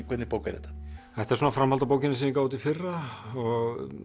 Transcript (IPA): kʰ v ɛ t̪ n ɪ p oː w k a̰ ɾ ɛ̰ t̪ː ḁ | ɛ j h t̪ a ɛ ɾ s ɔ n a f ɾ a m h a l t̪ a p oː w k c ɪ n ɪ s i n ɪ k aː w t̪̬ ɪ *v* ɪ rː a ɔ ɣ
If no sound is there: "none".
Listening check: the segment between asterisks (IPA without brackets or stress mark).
f